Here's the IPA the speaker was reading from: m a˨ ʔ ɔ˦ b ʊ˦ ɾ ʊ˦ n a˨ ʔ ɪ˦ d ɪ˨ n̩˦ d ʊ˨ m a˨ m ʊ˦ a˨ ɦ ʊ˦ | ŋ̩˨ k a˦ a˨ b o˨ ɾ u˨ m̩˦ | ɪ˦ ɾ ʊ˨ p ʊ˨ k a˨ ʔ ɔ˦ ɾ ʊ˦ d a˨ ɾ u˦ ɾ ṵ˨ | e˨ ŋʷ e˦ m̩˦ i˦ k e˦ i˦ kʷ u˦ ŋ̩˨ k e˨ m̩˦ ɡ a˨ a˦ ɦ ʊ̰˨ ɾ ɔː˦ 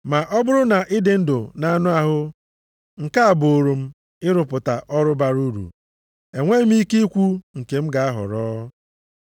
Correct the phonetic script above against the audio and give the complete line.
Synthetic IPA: m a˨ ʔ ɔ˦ b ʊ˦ ɾ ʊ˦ n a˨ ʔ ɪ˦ d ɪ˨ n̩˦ d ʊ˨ n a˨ n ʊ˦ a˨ ɦ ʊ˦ | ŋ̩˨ k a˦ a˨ b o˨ ɾ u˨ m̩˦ | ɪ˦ ɾ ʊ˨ p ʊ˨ t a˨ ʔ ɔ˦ ɾ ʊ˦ b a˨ ɾ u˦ ɾ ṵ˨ | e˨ ŋʷ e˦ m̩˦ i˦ k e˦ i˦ kʷ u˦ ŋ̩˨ k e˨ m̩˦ ɡ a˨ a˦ ɦ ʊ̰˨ ɾ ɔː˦

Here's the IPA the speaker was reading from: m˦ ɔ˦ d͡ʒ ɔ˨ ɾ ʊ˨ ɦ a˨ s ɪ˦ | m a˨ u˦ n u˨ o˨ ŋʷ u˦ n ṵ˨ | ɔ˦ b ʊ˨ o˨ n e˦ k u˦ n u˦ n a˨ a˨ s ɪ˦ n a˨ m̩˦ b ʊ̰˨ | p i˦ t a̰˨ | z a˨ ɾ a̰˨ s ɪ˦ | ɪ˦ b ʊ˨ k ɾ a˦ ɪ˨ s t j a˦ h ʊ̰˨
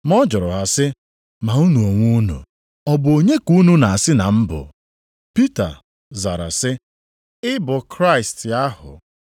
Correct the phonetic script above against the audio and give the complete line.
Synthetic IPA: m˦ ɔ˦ d͡ʒ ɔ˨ ɾ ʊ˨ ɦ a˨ s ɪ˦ | m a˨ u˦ n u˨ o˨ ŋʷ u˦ n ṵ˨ | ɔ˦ b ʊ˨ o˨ ɲ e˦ k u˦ n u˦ n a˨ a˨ s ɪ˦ n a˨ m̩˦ b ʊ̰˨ | p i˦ t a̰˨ | z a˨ ɾ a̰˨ s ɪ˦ | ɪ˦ b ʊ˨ k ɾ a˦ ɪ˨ s t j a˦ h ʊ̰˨

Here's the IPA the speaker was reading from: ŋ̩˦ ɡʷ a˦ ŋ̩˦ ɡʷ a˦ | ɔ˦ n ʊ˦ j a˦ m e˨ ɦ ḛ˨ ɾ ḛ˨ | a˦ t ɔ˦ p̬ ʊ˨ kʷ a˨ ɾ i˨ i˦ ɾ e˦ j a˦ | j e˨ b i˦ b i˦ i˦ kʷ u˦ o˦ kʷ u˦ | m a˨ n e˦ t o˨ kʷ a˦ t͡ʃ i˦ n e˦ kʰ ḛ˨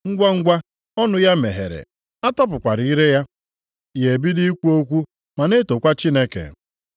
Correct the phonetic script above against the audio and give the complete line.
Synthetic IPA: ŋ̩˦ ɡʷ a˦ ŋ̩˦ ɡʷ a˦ | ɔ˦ n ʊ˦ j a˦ m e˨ ɦ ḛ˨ ɾ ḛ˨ | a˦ t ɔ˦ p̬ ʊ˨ kʷ a˨ ɾ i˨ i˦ ɾ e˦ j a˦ | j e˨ b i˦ d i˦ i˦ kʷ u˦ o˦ kʷ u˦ | m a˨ n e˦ t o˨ kʷ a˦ t͡ʃ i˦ n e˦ k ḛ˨

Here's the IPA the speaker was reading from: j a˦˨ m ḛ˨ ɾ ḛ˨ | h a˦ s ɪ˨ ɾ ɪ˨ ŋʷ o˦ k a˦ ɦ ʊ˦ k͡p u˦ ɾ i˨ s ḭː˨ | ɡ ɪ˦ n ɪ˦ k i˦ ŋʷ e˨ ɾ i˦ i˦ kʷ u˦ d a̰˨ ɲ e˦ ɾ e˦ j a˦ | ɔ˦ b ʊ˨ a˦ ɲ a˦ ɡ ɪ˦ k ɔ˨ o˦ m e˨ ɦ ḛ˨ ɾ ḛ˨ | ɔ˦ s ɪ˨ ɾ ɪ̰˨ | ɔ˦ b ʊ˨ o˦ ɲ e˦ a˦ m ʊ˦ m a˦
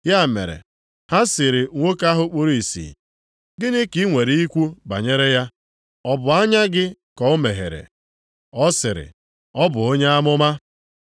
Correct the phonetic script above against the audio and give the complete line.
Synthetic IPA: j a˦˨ m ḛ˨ ɾ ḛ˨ | h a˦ s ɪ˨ ɾ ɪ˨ ŋʷ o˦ k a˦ ɦ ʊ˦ k͡p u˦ ɾ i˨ s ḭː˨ | ɡ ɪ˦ n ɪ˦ k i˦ ŋʷ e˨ ɾ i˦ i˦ kʷ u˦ b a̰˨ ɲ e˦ ɾ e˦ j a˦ | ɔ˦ b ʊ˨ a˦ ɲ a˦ ɡ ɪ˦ k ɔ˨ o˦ m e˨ ɦ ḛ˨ ɾ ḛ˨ | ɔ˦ s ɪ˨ ɾ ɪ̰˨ | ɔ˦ b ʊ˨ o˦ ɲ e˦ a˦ m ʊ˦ m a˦

